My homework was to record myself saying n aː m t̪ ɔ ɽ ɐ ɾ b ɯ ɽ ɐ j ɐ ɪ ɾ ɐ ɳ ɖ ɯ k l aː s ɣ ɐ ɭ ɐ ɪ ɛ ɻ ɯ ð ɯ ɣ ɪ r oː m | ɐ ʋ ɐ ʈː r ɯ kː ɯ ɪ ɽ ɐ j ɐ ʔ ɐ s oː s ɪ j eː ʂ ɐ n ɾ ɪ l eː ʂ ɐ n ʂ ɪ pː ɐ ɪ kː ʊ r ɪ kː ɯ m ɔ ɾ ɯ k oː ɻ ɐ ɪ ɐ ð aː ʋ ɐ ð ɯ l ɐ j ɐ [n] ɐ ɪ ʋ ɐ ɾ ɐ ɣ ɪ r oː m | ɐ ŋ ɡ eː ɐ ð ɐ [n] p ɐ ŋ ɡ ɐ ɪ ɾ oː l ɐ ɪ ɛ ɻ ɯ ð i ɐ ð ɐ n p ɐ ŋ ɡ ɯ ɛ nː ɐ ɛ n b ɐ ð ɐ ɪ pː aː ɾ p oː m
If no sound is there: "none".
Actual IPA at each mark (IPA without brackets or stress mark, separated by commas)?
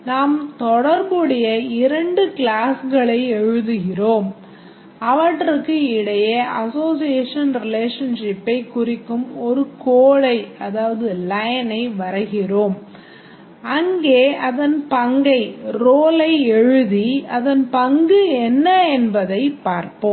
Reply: n, n